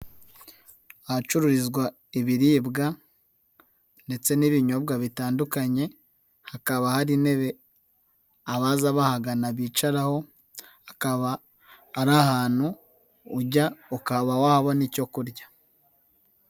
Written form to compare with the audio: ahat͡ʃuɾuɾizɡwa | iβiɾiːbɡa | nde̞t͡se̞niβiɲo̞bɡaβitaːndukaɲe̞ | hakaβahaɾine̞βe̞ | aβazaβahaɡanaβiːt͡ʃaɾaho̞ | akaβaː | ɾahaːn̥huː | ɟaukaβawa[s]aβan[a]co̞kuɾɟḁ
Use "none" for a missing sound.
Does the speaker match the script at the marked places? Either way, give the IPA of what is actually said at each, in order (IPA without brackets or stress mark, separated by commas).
h, i